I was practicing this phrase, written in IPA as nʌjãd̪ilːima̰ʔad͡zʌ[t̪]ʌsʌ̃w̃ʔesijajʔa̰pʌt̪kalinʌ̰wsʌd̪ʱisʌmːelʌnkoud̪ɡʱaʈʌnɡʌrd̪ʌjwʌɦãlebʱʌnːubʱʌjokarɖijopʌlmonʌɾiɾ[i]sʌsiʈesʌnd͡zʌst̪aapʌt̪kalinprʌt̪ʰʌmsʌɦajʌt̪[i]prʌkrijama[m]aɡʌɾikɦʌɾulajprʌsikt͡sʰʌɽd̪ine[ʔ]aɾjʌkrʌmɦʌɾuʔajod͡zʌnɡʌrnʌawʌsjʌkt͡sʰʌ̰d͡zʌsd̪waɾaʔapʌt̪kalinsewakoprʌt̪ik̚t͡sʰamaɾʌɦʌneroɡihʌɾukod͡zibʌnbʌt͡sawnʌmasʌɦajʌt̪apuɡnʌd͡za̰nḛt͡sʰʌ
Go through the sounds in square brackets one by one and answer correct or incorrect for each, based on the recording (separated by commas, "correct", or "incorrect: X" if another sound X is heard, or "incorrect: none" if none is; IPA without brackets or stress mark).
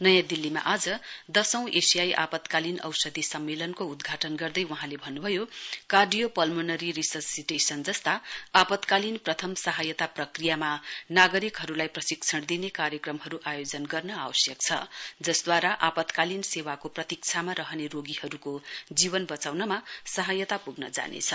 incorrect: d̪, correct, incorrect: a, incorrect: n, incorrect: k